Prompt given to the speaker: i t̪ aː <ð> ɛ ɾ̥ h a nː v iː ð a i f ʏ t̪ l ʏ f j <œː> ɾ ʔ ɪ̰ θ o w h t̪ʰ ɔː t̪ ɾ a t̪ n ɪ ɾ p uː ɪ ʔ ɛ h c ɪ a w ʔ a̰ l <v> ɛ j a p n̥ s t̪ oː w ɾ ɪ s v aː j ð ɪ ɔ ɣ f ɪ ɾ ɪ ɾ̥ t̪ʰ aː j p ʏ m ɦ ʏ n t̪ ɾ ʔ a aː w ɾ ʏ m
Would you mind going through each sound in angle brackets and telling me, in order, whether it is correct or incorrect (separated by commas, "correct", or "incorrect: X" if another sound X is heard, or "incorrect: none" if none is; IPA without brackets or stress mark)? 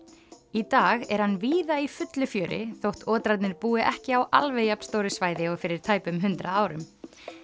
incorrect: ɣ, correct, correct